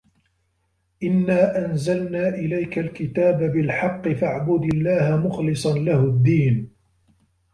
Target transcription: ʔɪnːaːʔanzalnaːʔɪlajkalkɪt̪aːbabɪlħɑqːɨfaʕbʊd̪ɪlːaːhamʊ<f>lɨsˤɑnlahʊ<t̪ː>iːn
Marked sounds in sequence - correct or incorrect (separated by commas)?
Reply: incorrect, incorrect